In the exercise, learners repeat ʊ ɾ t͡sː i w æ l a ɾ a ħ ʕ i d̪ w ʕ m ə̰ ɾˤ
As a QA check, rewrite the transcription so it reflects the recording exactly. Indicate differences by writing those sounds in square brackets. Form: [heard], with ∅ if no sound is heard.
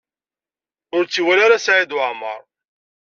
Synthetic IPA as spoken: ʊ ɾ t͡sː i w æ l a ɾ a [s] ʕ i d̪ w ʕ m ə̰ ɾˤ